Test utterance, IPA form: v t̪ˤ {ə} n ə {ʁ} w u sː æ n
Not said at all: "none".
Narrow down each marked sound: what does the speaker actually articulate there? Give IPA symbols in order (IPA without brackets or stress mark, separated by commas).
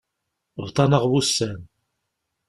ɑ, ʁ